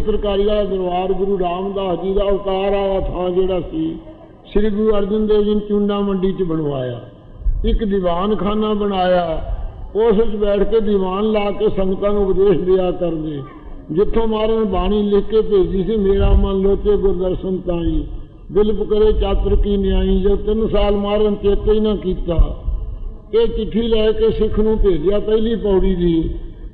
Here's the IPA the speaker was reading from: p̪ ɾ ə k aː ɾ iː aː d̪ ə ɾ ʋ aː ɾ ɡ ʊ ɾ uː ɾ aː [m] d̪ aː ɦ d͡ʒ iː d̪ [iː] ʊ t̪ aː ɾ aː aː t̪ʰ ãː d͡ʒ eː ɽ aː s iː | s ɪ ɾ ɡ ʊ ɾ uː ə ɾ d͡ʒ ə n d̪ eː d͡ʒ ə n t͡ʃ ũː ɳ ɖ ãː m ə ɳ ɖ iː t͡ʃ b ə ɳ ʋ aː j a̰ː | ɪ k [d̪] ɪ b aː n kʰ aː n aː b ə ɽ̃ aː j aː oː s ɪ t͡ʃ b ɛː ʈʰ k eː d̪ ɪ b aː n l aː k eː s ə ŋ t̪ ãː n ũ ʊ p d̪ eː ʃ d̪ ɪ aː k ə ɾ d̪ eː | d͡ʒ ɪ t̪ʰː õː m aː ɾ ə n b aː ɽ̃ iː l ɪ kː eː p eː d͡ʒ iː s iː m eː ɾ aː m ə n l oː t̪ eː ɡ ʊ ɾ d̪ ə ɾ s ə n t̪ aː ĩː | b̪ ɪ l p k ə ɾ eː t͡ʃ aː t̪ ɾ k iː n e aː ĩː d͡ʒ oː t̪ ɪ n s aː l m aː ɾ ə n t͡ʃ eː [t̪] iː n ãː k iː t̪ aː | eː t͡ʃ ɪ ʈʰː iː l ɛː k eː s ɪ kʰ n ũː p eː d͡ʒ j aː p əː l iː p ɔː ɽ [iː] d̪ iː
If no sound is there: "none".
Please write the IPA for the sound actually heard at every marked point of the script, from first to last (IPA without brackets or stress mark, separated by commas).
m, aː, d̪, t̪, iː